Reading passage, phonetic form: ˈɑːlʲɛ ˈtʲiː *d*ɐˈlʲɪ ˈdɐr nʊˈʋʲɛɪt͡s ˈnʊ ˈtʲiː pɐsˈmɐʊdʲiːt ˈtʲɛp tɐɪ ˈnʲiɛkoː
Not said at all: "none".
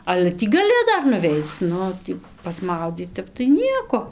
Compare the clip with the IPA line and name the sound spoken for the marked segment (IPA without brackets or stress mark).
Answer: ɡ